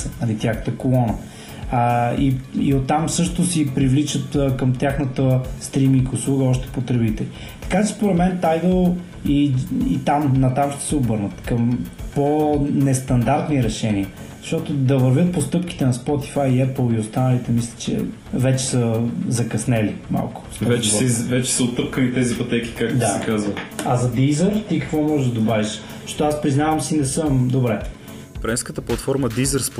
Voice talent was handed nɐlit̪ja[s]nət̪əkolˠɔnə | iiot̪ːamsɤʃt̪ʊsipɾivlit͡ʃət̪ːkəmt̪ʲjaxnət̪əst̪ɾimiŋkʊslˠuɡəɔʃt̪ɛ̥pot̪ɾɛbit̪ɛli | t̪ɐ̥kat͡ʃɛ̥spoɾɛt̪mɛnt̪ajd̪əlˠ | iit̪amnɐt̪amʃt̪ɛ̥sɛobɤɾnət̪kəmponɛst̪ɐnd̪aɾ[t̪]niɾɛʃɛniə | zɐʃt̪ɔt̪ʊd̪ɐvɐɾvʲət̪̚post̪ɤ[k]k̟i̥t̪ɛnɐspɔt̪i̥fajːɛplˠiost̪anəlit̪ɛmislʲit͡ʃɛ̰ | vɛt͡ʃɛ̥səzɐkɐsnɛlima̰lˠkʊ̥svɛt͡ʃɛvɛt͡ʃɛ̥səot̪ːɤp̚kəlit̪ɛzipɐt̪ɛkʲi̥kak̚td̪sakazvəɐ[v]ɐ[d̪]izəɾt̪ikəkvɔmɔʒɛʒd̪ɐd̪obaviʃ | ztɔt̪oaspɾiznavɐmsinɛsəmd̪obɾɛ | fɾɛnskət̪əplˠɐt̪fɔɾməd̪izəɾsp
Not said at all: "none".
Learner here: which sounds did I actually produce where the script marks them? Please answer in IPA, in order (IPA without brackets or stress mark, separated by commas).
x, t̪, p, z, d̪